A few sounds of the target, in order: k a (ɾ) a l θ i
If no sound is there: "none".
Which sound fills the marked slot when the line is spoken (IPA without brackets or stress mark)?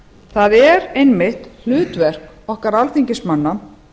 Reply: ɾ